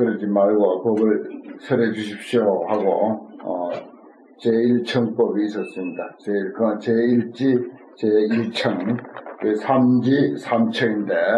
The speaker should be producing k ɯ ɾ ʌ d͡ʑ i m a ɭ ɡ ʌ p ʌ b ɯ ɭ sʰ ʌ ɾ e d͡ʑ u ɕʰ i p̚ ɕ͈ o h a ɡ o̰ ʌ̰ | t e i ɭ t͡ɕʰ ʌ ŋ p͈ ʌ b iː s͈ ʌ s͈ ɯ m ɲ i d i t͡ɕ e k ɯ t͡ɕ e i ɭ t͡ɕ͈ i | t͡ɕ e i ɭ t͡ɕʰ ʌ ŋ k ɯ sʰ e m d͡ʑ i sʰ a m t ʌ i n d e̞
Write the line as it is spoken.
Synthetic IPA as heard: k ɯ ɾ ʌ d͡ʑ i m a ɭ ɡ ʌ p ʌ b ɯ ɭ sʰ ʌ ɾ e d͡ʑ u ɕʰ i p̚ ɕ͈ o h a ɡ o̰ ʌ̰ | t͡ɕ e i ɭ t͡ɕʰ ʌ ŋ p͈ ʌ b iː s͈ ʌ s͈ ɯ m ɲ i d a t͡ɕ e k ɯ t͡ɕ e i ɭ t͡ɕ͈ i | t͡ɕ e i ɭ t͡ɕʰ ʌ ŋ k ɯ sʰ a m d͡ʑ i sʰ a m t͡ɕʰ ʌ i n d e̞